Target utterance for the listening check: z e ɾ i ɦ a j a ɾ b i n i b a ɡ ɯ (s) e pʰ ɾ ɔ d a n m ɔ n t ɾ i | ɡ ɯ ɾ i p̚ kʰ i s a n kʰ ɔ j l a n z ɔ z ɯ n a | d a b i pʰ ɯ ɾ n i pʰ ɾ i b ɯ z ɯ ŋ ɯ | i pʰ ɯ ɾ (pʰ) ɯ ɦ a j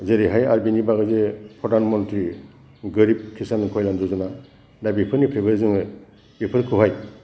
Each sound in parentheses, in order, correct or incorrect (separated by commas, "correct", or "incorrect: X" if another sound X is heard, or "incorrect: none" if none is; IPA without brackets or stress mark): incorrect: z, incorrect: kʰ